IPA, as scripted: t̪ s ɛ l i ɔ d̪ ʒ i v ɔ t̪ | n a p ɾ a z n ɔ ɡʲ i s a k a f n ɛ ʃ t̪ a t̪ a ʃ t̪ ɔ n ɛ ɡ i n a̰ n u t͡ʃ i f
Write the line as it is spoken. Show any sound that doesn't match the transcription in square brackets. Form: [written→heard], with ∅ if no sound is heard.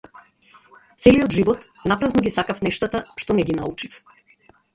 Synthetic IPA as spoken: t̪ s ɛ l i ɔ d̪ ʒ i v ɔ t̪ | n a p ɾ a z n ɔ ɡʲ i s a k a f n ɛ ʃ t̪ a t̪ a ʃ t̪ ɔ n ɛ ɡ i n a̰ [n→∅] u t͡ʃ i f

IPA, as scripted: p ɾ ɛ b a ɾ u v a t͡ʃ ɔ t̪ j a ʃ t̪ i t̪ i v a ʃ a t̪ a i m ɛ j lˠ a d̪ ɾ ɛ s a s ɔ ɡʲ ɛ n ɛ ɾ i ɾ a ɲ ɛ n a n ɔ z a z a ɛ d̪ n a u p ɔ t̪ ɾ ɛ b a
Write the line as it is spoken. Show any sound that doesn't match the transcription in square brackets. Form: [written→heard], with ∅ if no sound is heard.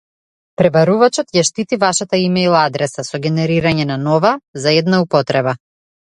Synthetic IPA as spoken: p ɾ ɛ b a ɾ u v a t͡ʃ ɔ t̪ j a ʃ t̪ i t̪ i v a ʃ a t̪ a i m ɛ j lˠ a d̪ ɾ ɛ s a s ɔ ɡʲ ɛ n ɛ ɾ i ɾ a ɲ ɛ n a n ɔ [z→v] a z a ɛ d̪ n a u p ɔ t̪ ɾ ɛ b a

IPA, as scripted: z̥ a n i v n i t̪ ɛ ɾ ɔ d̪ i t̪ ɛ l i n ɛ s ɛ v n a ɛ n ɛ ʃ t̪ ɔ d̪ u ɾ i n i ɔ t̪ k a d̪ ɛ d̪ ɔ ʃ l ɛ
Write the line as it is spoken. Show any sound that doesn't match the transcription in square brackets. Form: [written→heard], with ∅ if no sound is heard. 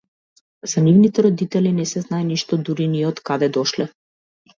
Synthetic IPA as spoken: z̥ a n i v n i t̪ ɛ ɾ ɔ d̪ i t̪ ɛ l i n ɛ s ɛ [v→z] n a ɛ n [ɛ→i] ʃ t̪ ɔ d̪ u ɾ i n i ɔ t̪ k a d̪ ɛ d̪ ɔ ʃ l ɛ

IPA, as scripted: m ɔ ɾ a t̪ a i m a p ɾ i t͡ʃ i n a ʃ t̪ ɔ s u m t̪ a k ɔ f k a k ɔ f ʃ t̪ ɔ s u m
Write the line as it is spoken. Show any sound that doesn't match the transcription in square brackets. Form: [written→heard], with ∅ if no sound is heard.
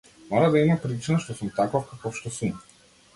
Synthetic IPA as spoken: m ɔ ɾ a [t̪→d̪] a i m a p ɾ i t͡ʃ i n a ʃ t̪ ɔ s u m t̪ a k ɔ f k a k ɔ f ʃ t̪ ɔ s u m

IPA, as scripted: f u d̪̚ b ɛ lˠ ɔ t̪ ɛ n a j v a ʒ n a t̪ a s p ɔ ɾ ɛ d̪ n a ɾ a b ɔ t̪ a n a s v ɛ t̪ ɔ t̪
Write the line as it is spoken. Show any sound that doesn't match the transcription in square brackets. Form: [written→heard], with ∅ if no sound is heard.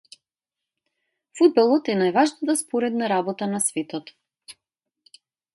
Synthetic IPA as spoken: f u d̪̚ b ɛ lˠ ɔ t̪ ɛ n a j v a ʒ n a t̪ a s p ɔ ɾ ɛ d̪ n a ɾ a b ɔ t̪ a n a s v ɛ t̪ ɔ t̪

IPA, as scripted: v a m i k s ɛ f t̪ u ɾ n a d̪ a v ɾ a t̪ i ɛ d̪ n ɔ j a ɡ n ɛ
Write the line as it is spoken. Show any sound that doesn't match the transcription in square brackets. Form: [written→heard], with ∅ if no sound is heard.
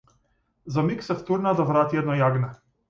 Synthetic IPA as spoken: [v→z] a m i k s ɛ f t̪ u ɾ n a d̪ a v ɾ a t̪ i ɛ d̪ n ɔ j a ɡ n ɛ

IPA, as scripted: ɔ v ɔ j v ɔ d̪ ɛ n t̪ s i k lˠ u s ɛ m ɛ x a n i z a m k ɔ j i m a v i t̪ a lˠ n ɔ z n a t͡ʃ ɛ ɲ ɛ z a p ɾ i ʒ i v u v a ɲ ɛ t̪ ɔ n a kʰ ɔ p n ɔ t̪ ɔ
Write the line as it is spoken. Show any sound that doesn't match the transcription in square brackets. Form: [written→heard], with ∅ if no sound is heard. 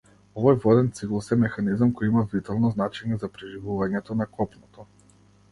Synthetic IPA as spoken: ɔ v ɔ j v ɔ d̪ ɛ n t̪ s i k lˠ u s ɛ m ɛ x a n i z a m k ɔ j i m a v i t̪ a lˠ n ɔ z n a t͡ʃ ɛ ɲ ɛ z a p ɾ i ʒ i v u v a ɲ ɛ t̪ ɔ n a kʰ ɔ p n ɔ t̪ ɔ

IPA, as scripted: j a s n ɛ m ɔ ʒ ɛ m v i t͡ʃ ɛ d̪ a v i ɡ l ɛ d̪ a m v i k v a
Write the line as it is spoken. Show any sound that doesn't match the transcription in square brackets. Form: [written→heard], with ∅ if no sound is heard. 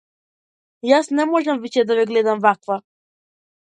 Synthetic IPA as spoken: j a s n ɛ m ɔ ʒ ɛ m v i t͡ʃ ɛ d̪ a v [i→ɛ] ɡ l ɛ d̪ a m v [i→a] k v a

